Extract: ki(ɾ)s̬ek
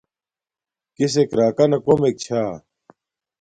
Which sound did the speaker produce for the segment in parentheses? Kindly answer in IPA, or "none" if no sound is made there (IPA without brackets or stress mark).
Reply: none